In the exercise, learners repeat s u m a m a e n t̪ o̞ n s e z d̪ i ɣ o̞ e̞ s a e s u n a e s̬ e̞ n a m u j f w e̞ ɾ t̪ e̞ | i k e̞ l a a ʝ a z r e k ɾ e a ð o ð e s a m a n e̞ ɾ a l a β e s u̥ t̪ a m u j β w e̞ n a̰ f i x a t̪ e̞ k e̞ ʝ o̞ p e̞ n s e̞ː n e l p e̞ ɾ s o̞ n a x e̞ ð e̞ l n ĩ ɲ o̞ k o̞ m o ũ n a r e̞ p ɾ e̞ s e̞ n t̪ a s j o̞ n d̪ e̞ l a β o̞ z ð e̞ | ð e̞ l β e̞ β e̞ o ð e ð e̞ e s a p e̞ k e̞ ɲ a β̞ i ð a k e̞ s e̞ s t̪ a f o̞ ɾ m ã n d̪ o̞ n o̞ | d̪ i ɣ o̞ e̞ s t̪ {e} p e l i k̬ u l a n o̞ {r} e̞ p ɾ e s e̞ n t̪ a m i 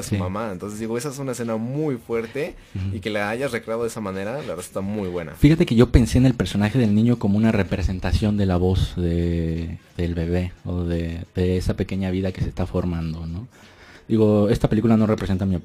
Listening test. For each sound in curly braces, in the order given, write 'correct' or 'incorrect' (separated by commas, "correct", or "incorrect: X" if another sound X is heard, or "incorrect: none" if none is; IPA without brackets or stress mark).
incorrect: a, correct